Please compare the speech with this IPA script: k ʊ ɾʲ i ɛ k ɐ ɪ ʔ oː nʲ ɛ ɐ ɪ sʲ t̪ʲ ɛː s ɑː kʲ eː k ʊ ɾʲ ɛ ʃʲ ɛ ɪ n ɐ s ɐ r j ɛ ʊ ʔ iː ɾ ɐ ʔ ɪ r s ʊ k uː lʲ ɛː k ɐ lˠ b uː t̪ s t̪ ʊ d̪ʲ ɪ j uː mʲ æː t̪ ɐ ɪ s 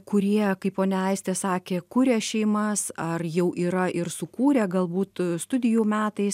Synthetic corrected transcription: k ʊ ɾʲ i ɛ k ɐ ɪ p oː nʲ ɛ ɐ ɪ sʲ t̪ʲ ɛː s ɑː kʲ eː k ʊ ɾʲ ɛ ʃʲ ɛ ɪ m ɐ s ɐ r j ɛ ʊ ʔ iː ɾ ɐ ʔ ɪ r s ʊ k uː ɾʲ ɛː ɡ ɐ lˠ b uː t̪ s t̪ ʊ d̪ʲ ɪ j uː mʲ æː t̪ ɐ ɪ s